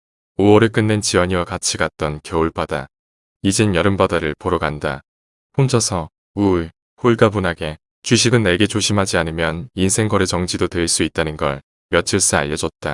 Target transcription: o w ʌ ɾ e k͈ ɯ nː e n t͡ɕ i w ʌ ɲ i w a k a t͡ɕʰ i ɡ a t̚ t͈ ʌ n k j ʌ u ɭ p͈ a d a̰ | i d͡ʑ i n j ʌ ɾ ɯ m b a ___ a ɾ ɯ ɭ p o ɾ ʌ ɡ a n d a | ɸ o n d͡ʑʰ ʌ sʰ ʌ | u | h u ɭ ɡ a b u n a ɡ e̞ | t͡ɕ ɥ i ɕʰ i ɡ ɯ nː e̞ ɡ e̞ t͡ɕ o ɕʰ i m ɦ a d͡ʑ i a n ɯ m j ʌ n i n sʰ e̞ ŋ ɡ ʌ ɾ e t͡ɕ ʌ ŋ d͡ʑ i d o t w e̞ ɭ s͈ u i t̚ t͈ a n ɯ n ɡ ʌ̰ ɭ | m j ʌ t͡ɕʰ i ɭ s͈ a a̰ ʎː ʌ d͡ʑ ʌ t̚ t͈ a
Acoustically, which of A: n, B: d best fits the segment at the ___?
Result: B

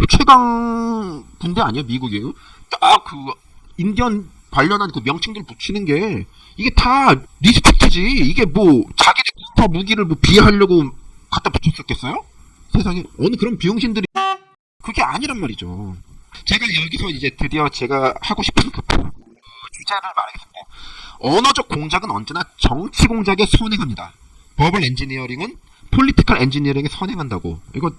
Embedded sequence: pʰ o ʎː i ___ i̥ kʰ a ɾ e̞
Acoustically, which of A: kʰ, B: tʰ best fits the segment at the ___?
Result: B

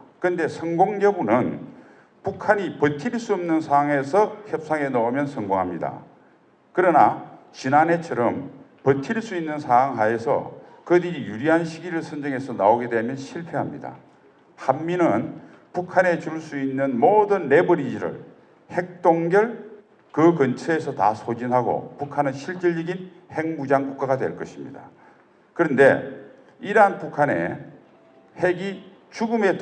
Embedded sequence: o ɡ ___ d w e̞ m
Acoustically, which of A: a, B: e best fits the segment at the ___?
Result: B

